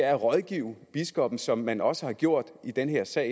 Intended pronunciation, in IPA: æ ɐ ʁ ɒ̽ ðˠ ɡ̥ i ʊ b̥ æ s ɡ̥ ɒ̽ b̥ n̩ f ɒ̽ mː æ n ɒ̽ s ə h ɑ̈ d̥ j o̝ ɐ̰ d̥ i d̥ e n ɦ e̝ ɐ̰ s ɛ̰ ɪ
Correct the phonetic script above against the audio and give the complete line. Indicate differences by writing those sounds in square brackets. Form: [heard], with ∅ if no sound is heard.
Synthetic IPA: æ ɐ ʁ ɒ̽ ðˠ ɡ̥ i ʊ b̥ [i] s ɡ̥ ɒ̽ b̥ n̩ [s] ɒ̽ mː æ n ɒ̽ s ə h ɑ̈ [ɡ̥] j o̝ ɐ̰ d̥ i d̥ e n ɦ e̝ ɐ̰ s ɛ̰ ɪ